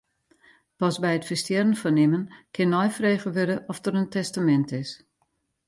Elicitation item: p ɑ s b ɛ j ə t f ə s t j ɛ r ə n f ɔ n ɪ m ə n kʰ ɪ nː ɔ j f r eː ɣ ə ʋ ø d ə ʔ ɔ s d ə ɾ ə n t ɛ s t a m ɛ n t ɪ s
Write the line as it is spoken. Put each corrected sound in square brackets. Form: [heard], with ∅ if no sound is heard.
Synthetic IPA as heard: p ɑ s b ɛ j ə t f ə s t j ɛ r ə n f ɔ n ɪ m ə n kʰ ɪ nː ɔ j f r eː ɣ ə ʋ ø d ə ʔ ɔ [f] d ə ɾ ə n t ɛ s t a m ɛ n t ɪ s